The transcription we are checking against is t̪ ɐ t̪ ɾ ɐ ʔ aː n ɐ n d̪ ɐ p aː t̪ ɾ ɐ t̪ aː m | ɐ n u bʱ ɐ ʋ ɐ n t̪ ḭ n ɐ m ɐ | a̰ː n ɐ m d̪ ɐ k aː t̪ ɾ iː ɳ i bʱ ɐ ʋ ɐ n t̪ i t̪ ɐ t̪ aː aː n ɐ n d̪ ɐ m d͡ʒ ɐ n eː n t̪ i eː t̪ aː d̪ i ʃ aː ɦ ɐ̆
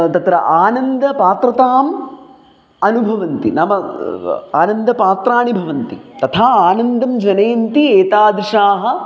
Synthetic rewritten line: t̪ ɐ t̪ ɾ ɐ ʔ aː n ɐ n d̪ ɐ p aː t̪ ɾ ɐ t̪ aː m | ɐ n u bʱ ɐ ʋ ɐ n t̪ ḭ n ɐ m ɐ | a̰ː n ɐ n d̪ ɐ p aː t̪ ɾ aː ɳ i bʱ ɐ ʋ ɐ n t̪ i t̪ ɐ t̪ʰ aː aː n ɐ n d̪ ɐ m d͡ʒ ɐ n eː n t̪ i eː t̪ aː d̪ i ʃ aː ɦ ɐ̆